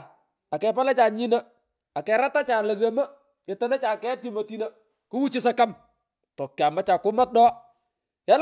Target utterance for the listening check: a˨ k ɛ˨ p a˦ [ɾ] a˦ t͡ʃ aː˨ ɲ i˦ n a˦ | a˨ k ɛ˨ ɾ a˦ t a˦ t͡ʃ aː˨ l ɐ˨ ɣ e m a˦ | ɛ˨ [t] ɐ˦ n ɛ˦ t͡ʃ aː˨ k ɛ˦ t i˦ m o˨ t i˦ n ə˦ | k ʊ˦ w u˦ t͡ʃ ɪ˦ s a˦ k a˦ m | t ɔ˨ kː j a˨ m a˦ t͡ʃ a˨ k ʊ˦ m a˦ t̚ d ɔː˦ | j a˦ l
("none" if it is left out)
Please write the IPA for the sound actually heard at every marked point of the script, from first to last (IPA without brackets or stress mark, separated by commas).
l, t